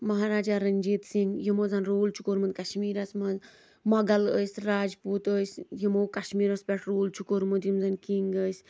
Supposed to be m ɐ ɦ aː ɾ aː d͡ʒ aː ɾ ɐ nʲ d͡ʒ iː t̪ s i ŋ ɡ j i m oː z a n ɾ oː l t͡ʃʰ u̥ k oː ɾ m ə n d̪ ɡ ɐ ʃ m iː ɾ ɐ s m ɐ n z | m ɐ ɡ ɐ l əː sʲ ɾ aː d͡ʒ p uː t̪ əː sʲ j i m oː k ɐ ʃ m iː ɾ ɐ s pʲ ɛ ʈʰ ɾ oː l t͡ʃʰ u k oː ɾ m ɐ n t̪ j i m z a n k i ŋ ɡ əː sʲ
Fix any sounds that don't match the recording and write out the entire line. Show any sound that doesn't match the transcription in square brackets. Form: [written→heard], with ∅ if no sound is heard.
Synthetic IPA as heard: m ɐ ɦ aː ɾ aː d͡ʒ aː ɾ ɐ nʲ d͡ʒ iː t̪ s i ŋ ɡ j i m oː z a n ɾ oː l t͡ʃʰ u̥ k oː ɾ m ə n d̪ [ɡ→k] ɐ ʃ m iː ɾ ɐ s m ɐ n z | m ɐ ɡ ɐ l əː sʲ ɾ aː d͡ʒ p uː t̪ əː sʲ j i m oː k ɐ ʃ m iː ɾ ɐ s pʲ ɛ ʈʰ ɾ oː l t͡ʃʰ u k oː ɾ m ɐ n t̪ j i m z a n k i ŋ ɡ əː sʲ